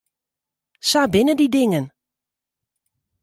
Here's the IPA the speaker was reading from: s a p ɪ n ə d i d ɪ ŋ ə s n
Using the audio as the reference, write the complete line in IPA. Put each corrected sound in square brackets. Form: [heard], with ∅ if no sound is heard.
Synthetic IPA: s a [b] ɪ n ə d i d ɪ ŋ ə [∅] n